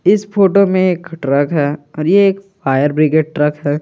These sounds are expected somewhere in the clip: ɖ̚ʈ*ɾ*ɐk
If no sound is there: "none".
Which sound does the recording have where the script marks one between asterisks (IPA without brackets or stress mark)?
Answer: ɾ